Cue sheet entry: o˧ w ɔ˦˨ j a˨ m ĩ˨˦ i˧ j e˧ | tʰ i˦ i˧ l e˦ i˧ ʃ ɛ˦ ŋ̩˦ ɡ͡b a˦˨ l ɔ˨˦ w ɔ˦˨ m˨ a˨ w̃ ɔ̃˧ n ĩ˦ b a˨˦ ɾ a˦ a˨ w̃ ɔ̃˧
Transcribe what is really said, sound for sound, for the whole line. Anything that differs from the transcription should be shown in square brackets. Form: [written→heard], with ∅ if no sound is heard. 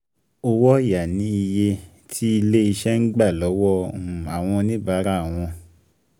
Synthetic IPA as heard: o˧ w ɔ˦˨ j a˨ [m→n] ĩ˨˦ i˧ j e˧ | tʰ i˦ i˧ l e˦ i˧ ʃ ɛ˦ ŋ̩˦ ɡ͡b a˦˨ l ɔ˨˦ w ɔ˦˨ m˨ a˨ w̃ ɔ̃˧ n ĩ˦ b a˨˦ ɾ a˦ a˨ w̃ ɔ̃˧